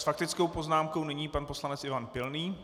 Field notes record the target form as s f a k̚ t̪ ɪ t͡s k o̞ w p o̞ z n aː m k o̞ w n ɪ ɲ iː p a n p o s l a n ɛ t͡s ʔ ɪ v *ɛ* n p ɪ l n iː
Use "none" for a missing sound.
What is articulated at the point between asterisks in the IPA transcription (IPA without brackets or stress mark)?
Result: a